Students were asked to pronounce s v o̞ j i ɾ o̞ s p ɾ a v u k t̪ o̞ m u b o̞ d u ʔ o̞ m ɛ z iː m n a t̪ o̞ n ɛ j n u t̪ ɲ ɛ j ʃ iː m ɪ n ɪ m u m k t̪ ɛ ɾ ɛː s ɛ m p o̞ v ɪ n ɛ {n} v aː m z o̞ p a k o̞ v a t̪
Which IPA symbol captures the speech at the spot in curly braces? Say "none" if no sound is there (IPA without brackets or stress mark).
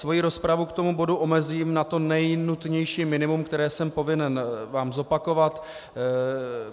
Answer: n